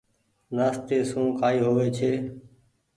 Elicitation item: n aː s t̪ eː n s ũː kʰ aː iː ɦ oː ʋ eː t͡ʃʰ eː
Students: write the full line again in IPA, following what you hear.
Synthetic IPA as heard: n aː s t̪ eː s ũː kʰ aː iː ɦ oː ʋ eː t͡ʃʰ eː